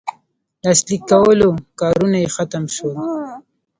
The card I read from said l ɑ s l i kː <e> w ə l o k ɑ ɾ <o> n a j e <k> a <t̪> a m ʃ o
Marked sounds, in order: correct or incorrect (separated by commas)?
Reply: incorrect, incorrect, incorrect, correct